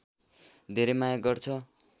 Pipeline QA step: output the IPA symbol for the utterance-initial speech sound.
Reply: d̪ʱ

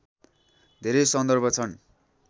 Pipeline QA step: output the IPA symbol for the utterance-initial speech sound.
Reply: d̪ʱ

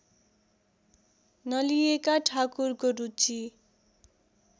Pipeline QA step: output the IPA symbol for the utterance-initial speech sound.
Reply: n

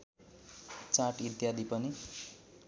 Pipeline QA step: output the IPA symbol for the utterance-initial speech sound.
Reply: t͡s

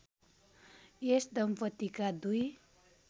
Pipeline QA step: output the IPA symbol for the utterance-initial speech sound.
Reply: e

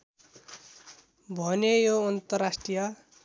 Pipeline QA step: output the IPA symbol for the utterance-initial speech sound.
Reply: bʱ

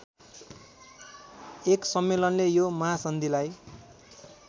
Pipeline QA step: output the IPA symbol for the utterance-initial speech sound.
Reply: e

